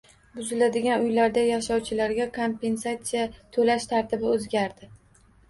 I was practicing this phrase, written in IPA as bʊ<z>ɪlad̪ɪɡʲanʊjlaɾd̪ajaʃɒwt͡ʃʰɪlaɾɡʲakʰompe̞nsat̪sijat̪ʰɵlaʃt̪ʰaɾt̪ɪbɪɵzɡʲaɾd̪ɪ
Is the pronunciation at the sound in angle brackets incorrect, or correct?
correct